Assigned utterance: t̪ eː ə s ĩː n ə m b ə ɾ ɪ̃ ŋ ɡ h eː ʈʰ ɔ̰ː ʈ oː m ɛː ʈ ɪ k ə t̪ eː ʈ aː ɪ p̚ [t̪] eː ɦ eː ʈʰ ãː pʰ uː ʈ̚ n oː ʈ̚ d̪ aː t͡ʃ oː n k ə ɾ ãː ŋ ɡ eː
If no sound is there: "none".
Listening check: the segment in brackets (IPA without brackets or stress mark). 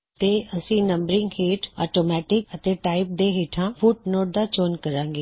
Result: d̪